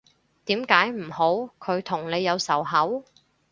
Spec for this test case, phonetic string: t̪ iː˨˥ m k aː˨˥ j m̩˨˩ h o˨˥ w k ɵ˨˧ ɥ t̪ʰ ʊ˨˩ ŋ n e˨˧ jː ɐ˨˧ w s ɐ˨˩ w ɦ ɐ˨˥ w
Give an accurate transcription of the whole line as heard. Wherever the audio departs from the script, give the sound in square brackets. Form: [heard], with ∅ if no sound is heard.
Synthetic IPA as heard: t̪ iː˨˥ m k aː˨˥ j m̩˨˩ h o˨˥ w [kʰ] ɵ˨˧ ɥ t̪ʰ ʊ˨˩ ŋ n e˨˧ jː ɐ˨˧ w s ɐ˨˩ w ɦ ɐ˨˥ w